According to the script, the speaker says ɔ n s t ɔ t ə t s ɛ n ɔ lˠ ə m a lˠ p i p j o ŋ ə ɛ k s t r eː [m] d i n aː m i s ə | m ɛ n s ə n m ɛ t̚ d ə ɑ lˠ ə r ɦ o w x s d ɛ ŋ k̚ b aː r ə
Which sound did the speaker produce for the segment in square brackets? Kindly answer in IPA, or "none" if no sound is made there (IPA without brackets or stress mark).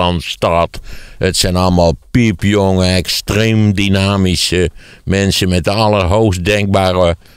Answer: m